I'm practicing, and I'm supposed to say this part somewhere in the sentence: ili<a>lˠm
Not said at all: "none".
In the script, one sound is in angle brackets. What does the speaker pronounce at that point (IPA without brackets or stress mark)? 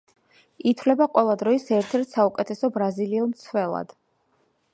ɛ